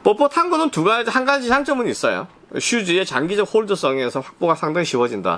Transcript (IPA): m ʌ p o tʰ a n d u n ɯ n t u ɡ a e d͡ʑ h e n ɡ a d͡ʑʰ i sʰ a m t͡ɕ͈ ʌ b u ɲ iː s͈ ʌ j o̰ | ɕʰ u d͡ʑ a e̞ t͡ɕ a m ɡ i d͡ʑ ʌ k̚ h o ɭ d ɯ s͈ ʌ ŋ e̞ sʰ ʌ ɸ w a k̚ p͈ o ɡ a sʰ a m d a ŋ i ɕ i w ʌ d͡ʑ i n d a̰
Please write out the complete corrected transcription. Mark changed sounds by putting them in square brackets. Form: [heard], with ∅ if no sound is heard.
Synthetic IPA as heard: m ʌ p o tʰ a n [ɡ] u n ɯ n t u ɡ a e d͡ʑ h [a] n ɡ a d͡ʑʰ i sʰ a [ŋ] t͡ɕ͈ ʌ [m] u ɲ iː s͈ ʌ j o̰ | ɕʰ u d͡ʑ [i] e̞ t͡ɕ a [ŋ] ɡ i d͡ʑ ʌ k̚ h o ɭ d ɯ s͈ ʌ ŋ e̞ sʰ ʌ ɸ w a k̚ p͈ o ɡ a sʰ a [ŋ] d a ŋ i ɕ i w ʌ d͡ʑ i n d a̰